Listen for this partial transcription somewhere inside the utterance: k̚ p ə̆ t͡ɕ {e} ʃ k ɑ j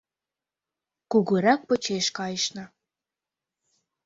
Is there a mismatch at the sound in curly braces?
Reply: no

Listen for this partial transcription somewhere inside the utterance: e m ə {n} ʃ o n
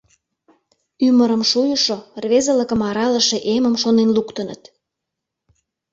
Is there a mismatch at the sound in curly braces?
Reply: yes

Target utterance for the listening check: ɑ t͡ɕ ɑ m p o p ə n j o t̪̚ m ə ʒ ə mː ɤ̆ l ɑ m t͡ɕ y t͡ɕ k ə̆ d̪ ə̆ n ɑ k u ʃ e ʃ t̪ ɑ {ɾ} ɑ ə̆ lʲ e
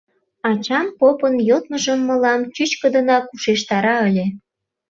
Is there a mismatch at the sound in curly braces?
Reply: no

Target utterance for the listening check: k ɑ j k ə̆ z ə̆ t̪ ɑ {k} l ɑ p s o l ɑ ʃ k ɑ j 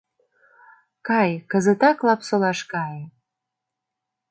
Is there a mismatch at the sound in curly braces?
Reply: no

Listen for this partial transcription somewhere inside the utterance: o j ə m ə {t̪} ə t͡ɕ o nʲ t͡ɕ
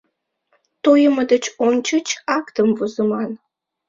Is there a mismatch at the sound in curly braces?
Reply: yes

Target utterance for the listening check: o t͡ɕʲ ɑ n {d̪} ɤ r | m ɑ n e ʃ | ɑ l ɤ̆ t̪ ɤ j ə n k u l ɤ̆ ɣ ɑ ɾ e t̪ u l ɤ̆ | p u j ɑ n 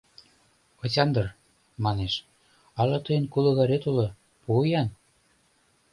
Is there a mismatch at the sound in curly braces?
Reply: no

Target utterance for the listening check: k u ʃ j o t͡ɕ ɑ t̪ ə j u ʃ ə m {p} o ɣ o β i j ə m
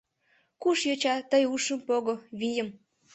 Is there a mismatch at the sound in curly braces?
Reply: no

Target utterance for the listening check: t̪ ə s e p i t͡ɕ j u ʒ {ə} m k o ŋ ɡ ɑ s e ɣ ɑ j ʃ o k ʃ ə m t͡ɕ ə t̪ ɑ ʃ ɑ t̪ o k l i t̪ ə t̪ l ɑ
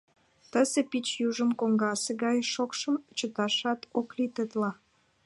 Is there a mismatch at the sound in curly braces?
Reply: no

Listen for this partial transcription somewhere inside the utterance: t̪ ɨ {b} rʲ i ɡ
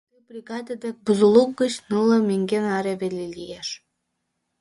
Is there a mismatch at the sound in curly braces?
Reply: no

